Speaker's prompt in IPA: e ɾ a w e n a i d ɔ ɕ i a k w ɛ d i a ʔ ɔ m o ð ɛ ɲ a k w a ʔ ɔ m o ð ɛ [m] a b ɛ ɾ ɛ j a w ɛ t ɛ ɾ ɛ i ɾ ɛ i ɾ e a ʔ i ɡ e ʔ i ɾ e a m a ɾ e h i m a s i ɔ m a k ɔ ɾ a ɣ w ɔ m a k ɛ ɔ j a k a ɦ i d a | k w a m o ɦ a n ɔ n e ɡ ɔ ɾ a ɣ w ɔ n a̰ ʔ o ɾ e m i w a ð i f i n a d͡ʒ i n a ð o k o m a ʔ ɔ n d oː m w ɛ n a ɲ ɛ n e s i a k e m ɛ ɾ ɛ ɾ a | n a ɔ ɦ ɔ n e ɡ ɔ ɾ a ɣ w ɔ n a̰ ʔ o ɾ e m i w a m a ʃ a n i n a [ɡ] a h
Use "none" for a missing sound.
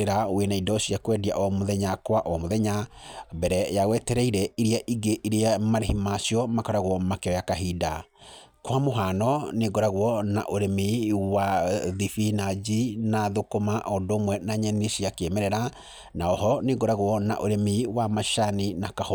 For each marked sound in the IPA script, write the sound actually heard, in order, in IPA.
ɲ, k

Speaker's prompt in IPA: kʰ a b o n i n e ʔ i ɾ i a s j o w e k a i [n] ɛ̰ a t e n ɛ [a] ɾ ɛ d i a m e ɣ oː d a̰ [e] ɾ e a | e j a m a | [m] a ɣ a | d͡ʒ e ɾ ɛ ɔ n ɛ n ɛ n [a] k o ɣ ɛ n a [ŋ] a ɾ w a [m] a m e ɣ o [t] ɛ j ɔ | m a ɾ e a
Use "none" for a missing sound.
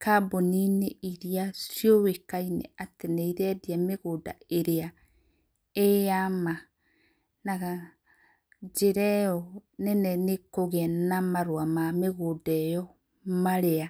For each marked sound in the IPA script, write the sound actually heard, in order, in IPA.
n, i, e, n, e, m, m, d

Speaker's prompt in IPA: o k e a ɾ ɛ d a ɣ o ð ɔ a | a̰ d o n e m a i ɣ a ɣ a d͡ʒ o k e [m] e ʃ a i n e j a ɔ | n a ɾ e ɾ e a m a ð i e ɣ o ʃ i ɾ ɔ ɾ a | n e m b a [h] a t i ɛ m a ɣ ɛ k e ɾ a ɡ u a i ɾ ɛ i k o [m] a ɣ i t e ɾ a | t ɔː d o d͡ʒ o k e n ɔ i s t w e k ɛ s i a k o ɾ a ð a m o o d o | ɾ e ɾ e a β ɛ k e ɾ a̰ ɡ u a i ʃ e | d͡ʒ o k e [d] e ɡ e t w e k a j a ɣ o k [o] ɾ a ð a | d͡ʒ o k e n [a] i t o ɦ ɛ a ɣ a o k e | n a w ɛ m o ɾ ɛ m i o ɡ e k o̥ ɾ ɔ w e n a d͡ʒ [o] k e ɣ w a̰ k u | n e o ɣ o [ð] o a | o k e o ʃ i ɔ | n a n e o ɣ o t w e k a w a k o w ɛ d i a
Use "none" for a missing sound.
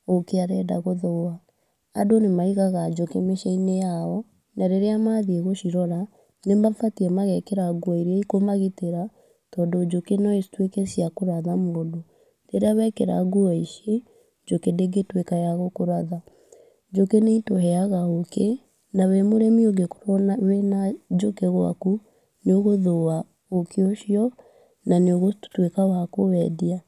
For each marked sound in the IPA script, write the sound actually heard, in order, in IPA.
m, f, m, d, o, e, o, ð

